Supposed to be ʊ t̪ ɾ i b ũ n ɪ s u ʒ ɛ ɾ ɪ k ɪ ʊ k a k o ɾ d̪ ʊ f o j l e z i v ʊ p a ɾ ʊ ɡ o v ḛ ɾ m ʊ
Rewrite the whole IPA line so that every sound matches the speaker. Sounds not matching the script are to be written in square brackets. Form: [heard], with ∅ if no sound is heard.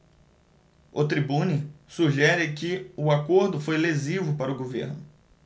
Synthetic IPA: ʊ t̪ ɾ i b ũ n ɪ s u ʒ ɛ ɾ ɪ k ɪ ʊ [∅] a k o ɾ d̪ ʊ f o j l e z i v ʊ p a ɾ ʊ ɡ o v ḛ ɾ [n] ʊ